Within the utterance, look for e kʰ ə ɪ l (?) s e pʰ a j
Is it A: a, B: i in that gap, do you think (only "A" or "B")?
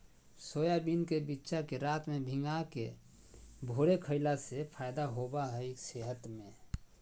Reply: A